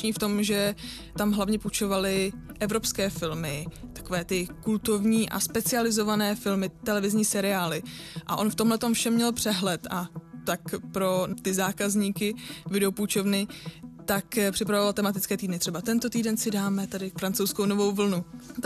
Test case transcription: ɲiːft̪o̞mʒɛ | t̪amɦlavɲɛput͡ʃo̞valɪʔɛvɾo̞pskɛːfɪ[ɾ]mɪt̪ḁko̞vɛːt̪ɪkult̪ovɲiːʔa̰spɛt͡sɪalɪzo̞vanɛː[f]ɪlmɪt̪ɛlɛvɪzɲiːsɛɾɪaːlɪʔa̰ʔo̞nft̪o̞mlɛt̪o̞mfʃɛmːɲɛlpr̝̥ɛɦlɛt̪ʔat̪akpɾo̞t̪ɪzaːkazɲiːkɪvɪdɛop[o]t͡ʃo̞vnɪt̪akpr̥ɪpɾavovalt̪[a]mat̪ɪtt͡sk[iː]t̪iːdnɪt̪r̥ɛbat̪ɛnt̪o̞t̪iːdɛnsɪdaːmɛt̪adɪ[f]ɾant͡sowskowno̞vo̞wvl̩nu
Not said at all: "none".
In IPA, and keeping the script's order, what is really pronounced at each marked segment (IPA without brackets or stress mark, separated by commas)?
l, f, u, ɛ, ɛː, f